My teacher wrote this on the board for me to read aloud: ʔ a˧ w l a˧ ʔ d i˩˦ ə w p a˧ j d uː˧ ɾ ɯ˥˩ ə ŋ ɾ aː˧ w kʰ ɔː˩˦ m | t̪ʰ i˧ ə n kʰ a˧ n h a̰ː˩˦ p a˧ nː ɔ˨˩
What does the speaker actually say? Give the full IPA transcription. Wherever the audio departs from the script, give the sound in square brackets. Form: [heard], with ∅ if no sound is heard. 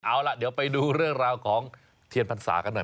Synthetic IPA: ʔ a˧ w l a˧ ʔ d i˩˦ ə w p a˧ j d uː˧ ɾ ɯ˥˩ ə ŋ ɾ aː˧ w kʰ ɔː˩˦ [ŋ] | t̪ʰ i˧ ə n [pʰ] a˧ n [s] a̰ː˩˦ [k] a˧ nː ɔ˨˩

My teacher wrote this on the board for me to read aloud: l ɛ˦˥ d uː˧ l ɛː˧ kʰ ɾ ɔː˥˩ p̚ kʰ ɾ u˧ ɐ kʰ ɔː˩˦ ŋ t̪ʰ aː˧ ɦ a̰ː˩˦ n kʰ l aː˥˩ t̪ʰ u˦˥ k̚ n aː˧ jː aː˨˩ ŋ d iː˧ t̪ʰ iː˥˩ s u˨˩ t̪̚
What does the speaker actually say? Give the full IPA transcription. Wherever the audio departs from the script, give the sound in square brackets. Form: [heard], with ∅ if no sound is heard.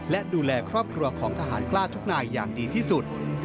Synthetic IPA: l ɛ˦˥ d uː˧ l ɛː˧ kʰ ɾ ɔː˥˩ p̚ kʰ ɾ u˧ ɐ kʰ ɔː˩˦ ŋ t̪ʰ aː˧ ɦ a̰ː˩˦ n [k] l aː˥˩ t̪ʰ u˦˥ k̚ n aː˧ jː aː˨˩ ŋ d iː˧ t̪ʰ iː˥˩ s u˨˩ t̪̚

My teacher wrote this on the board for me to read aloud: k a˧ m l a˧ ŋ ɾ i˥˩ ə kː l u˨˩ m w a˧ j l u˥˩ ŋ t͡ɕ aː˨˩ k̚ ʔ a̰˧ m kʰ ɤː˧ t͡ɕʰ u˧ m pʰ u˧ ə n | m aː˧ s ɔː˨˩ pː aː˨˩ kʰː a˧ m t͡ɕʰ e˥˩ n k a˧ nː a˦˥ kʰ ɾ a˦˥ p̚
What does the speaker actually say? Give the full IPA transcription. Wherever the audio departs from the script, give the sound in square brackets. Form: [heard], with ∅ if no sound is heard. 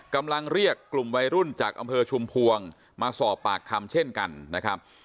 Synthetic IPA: k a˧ m l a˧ ŋ ɾ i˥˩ ə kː l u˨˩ m w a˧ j [ɾ] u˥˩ [n] t͡ɕ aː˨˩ k̚ ʔ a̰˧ m [pʰ] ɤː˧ t͡ɕʰ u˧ m pʰ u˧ ə [ŋ] | m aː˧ s ɔː˨˩ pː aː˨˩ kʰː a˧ m t͡ɕʰ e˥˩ n k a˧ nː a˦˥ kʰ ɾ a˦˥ p̚

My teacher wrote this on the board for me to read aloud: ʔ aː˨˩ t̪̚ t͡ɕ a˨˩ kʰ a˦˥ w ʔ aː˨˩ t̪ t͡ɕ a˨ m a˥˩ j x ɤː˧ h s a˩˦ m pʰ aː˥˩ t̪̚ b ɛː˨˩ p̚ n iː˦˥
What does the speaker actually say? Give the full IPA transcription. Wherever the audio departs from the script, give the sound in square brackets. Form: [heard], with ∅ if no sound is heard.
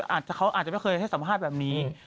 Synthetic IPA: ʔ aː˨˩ t̪̚ t͡ɕ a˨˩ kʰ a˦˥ w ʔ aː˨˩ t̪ t͡ɕ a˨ m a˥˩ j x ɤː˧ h s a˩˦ m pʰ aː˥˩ t̪̚ b ɛː˨˩ p̚ n iː˦˥

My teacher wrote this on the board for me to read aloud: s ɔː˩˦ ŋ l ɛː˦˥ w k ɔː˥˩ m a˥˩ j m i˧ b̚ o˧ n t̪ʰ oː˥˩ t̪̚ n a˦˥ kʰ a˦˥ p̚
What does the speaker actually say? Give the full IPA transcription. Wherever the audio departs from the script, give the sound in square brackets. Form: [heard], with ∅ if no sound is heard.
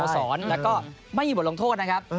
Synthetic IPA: s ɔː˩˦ [n] l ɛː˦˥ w k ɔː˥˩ m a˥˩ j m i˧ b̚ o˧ [ŋ] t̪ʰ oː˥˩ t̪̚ n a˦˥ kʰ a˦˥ p̚

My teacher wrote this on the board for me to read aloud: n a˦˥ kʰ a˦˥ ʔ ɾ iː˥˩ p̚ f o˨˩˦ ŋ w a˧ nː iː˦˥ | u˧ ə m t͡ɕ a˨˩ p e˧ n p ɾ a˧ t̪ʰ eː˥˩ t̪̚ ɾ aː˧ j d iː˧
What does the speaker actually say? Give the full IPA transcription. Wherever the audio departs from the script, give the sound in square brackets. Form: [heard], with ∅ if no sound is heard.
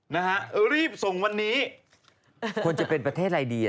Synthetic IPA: n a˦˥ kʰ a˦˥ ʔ ɾ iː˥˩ p̚ [s] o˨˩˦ ŋ w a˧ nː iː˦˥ | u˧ ə [n] t͡ɕ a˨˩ p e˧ n p ɾ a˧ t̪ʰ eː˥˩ t̪̚ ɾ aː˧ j d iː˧

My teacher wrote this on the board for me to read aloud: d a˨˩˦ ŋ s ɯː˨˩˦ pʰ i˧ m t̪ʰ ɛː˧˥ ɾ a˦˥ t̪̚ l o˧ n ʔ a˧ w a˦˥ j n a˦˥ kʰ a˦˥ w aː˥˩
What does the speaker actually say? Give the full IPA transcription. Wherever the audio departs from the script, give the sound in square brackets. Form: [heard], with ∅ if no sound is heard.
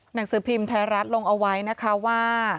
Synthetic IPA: [n] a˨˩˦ ŋ s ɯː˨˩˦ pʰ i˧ m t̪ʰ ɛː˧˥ ɾ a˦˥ t̪̚ l o˧ [ŋ] ʔ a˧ w a˦˥ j n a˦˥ kʰ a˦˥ w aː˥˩

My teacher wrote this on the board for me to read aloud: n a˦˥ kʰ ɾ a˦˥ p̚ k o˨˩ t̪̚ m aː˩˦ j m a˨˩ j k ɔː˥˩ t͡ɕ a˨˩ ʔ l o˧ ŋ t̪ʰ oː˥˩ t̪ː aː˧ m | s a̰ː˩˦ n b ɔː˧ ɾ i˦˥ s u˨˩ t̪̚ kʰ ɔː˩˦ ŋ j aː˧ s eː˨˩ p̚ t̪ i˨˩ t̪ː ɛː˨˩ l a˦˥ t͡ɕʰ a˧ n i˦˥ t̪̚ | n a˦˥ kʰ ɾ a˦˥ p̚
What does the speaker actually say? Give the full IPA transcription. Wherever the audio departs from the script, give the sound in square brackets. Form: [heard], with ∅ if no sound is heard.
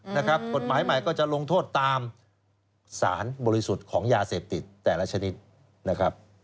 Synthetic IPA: n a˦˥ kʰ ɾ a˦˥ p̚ k o˨˩ t̪̚ m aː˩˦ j m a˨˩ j k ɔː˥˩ t͡ɕ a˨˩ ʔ l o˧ ŋ t̪ʰ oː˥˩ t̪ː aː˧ m | s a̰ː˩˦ n b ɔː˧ ɾ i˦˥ s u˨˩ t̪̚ kʰ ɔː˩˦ ŋ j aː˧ s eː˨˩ p̚ t̪ i˨˩ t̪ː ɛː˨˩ l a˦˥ t͡ɕʰ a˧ n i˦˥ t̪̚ | n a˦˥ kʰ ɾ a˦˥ p̚

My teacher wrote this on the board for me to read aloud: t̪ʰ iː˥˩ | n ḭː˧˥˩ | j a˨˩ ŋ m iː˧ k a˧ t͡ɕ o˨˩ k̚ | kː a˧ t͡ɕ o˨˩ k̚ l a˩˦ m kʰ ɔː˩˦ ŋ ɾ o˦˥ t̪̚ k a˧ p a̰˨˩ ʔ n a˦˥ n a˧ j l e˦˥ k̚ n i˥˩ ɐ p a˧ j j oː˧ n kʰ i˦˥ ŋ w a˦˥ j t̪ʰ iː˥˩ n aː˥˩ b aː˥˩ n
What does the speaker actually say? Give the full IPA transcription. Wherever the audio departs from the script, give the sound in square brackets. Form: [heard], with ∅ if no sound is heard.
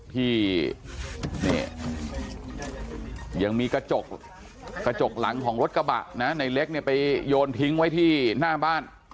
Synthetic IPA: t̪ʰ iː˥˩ | n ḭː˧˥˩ | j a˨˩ ŋ m iː˧ k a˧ t͡ɕ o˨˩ k̚ | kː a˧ t͡ɕ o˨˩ k̚ l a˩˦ [ŋ] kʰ ɔː˩˦ ŋ ɾ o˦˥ t̪̚ k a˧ [b] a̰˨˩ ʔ n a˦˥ n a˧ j l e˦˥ k̚ n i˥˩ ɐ p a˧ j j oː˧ n [pʰ] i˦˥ ŋ w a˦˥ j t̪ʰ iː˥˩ n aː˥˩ b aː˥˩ n

